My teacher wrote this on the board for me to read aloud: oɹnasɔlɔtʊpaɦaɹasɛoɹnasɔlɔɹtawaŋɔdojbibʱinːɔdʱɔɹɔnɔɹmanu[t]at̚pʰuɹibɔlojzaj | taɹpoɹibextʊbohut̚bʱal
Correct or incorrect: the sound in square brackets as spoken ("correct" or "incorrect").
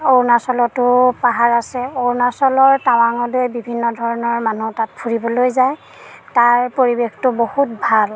correct